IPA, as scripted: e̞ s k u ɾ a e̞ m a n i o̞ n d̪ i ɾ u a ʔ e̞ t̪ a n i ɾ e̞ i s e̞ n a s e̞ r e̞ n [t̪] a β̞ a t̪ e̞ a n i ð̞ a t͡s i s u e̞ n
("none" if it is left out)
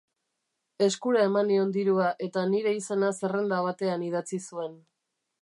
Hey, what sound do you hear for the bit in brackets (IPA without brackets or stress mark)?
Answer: d̪